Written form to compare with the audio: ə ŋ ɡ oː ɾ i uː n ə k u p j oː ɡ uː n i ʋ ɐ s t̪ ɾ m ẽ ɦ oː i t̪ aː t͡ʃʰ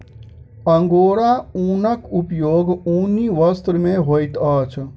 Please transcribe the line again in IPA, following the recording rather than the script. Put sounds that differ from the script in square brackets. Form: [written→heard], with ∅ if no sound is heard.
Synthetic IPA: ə ŋ ɡ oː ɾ [i→a] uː n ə k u p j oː ɡ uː n i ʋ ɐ s t̪ ɾ m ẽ ɦ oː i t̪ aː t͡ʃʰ